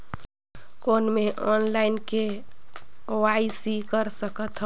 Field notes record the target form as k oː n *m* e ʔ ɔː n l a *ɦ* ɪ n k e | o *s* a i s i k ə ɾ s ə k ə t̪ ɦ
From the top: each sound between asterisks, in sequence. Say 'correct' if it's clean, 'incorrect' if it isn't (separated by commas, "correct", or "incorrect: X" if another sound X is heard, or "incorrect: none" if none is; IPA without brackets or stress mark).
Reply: correct, incorrect: none, incorrect: none